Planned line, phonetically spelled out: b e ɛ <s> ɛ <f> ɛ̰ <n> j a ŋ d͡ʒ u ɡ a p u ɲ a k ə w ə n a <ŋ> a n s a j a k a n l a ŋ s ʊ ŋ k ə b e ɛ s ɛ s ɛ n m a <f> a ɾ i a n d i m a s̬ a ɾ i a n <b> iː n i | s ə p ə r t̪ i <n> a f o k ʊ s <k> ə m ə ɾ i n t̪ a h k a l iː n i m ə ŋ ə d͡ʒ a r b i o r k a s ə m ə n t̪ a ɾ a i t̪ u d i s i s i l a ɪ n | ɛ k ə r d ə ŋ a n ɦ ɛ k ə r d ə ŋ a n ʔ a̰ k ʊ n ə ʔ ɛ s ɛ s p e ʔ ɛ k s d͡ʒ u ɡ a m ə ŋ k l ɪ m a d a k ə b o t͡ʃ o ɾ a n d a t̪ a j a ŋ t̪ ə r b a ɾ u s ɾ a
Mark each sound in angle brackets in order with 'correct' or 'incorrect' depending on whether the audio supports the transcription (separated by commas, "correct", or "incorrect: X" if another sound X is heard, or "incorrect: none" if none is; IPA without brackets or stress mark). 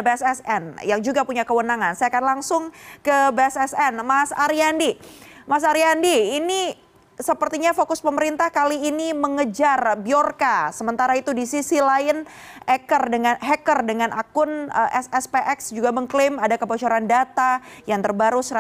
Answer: correct, incorrect: s, correct, correct, incorrect: s, incorrect: d, incorrect: ɲ, incorrect: p